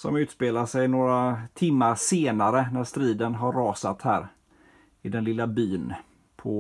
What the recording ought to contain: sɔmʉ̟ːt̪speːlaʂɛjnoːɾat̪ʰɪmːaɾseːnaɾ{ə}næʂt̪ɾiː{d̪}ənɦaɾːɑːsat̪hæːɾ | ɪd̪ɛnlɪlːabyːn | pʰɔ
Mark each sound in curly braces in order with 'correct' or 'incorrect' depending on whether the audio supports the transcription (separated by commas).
correct, correct